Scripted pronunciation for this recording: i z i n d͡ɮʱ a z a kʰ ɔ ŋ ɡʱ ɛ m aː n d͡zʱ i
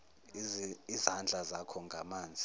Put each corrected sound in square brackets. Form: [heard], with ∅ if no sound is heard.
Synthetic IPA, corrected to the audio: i z [a] n d͡ɮʱ a z a kʰ ɔ ŋ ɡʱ [a] m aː n d͡zʱ i